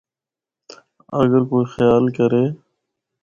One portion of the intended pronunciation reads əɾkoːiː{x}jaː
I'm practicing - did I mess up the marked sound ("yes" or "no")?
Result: no